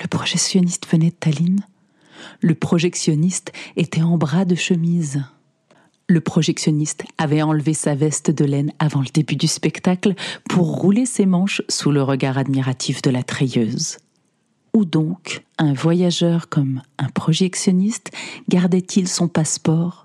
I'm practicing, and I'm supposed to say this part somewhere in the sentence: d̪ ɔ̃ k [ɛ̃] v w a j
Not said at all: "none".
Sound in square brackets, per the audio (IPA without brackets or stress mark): ɛ̃